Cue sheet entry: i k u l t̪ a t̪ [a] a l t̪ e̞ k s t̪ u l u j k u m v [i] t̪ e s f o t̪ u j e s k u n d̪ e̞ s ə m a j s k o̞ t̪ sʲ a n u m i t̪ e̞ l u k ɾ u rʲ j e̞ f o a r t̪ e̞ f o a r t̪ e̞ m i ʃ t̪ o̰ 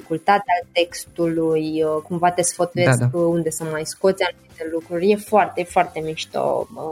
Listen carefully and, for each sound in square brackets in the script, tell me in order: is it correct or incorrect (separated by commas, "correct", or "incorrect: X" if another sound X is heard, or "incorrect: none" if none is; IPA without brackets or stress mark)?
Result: incorrect: e, incorrect: a